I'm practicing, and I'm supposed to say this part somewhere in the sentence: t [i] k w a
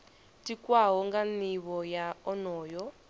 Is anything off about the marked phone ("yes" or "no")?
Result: no